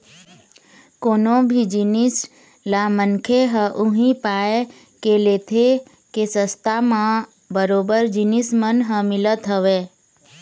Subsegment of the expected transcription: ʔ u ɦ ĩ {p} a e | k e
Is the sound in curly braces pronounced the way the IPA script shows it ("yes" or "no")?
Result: yes